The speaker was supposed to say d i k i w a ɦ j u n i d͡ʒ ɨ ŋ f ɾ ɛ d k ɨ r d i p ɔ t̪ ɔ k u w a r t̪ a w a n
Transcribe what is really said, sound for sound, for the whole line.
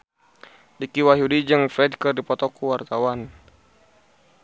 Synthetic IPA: d i k i w a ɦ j u d i d͡ʒ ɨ ŋ f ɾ ɛ d k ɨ r d i p ɔ t̪ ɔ k u w a r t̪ a w a n

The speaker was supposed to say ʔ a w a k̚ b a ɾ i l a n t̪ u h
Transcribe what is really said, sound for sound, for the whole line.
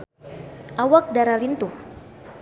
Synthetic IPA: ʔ a w a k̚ d a ɾ a l i n t̪ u h

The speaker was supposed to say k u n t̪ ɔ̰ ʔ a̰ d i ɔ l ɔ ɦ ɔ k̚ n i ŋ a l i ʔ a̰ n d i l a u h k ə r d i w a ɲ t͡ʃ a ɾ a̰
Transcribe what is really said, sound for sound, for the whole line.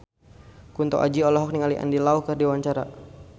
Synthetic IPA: k u n t̪ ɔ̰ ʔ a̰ d͡ʒ i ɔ l ɔ ɦ ɔ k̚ n i ŋ a l i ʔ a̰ n d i l a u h k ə r d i w a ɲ t͡ʃ a ɾ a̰

